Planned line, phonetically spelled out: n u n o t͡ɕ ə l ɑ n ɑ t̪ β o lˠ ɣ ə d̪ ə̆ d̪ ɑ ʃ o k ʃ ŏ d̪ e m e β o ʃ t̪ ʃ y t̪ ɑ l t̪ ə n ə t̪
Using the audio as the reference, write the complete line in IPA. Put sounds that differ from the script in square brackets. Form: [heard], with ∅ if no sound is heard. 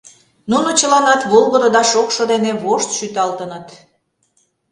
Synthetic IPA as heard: n u n o t͡ɕ ə l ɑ n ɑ t̪ β o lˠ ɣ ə d̪ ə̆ d̪ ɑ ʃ o k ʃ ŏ d̪ e [n] e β o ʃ t̪ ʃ y t̪ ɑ l t̪ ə n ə t̪

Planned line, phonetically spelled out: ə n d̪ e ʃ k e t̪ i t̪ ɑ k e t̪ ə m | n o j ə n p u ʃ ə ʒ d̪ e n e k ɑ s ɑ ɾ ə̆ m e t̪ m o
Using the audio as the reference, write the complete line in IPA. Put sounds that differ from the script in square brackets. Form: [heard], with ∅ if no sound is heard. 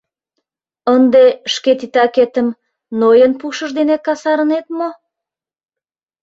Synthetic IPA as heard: ə n d̪ e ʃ k e t̪ i t̪ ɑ k e t̪ ə m | n o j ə n p u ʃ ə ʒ d̪ e n e k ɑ s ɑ ɾ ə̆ [n] e t̪ m o

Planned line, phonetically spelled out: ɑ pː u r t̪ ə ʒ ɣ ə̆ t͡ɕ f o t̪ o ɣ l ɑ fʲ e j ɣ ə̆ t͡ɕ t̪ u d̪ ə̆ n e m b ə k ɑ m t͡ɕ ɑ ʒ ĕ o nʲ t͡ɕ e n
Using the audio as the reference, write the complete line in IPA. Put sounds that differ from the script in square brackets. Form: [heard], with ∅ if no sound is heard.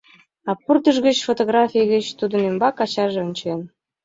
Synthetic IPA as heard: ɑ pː u r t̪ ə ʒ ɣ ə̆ t͡ɕ f o t̪ o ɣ [r] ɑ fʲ [i] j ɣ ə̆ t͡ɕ t̪ u d̪ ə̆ n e m b [ɑ] k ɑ [∅] t͡ɕ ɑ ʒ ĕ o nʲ t͡ɕ e n

